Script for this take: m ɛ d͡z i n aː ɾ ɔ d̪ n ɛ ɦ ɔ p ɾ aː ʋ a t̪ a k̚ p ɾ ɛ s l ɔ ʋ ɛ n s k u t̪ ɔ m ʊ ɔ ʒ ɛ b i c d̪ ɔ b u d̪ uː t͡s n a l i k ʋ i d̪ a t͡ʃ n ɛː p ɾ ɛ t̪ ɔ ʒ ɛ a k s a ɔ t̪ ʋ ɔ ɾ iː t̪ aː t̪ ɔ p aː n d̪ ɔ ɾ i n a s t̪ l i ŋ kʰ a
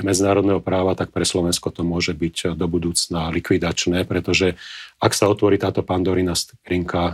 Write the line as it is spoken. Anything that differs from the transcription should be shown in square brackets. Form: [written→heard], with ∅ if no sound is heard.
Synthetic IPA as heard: m ɛ d͡z i n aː ɾ ɔ d̪ n ɛ ɦ ɔ p ɾ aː ʋ a t̪ a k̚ p ɾ ɛ s l ɔ ʋ ɛ n s k [u→ɔ] t̪ ɔ m ʊ ɔ ʒ ɛ b i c d̪ ɔ b u d̪ uː t͡s n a l i k ʋ i d̪ a t͡ʃ n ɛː p ɾ ɛ t̪ ɔ ʒ ɛ a k s a ɔ t̪ ʋ ɔ ɾ iː t̪ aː t̪ ɔ p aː n d̪ ɔ ɾ i n a s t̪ [l→ɾ] i ŋ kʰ a